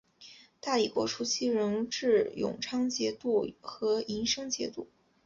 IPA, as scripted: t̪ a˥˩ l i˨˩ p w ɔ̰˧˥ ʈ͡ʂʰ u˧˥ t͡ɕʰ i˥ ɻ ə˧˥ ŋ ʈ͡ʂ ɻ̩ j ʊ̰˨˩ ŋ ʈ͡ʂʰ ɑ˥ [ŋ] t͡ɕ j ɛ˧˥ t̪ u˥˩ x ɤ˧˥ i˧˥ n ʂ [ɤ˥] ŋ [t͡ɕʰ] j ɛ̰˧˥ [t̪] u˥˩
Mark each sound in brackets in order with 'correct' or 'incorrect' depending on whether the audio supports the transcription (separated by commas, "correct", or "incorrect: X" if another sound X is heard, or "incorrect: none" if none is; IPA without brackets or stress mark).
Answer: correct, correct, incorrect: t͡ɕ, correct